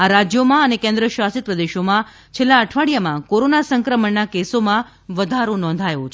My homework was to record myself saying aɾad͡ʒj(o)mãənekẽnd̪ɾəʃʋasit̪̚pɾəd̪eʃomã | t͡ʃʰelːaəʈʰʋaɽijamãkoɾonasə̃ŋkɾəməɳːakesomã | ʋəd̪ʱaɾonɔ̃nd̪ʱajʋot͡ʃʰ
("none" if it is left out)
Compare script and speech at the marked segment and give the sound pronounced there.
o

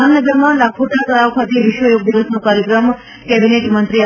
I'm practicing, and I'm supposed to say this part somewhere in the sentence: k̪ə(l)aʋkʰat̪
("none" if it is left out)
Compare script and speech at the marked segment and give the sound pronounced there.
ɾ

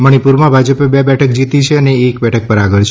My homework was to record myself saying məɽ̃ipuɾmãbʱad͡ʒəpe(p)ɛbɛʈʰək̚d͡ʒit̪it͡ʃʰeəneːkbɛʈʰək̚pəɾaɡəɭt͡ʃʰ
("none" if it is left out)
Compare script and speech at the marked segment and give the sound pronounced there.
b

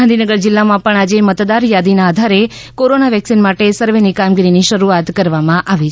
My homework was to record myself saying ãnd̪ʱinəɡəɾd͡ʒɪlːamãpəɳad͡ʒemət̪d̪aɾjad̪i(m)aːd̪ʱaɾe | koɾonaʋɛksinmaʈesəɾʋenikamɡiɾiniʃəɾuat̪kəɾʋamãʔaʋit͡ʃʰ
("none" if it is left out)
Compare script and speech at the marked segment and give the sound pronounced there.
n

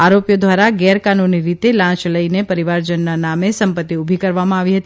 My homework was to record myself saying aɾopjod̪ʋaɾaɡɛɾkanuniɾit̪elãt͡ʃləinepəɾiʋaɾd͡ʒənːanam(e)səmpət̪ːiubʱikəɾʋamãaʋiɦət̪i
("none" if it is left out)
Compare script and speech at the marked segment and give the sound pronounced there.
e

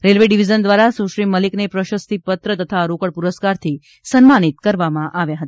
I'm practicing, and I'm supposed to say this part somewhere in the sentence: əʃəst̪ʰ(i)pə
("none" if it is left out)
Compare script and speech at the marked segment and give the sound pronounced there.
i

